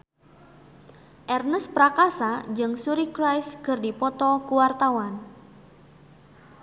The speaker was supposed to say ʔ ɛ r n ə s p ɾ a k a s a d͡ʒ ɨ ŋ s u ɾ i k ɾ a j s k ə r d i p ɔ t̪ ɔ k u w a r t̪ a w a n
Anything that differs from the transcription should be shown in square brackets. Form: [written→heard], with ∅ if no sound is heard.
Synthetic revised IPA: ʔ ɛ r n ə s p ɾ a k a s a d͡ʒ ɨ ŋ s u ɾ i k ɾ a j s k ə r d i p ɔ t̪ ɔ k u w a r t̪ a w a n